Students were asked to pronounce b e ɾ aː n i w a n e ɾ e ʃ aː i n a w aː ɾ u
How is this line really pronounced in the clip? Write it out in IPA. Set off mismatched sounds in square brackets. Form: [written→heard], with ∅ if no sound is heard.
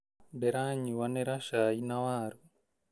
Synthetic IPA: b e ɾ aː [n→ɲ] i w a n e ɾ [e→a] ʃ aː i n a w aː ɾ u